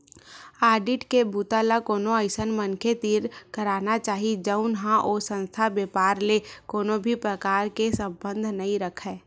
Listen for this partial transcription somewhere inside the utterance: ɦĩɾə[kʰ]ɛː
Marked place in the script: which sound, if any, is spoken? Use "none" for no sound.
kʰ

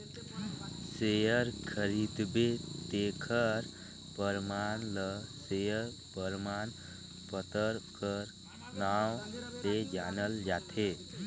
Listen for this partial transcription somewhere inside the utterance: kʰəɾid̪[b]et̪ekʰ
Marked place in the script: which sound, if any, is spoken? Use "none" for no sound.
b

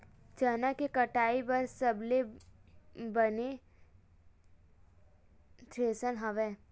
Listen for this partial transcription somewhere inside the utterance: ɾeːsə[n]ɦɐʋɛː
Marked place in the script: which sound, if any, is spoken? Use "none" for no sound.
n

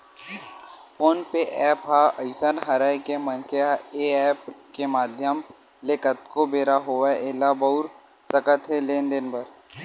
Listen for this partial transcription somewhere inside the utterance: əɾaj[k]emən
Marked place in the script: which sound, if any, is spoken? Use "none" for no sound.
k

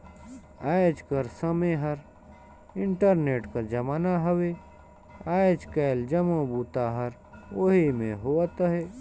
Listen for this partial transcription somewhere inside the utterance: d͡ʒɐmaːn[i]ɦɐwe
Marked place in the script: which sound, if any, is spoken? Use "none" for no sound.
a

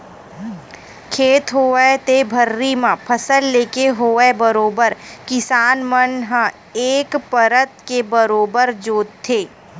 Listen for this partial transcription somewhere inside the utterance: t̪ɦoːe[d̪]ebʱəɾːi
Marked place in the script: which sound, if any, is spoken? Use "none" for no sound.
t̪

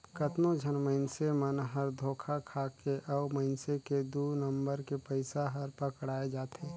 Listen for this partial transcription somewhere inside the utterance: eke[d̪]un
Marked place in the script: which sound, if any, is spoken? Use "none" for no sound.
d̪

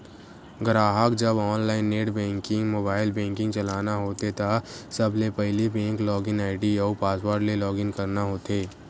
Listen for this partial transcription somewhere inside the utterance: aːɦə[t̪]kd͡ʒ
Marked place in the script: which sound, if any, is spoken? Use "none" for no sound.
none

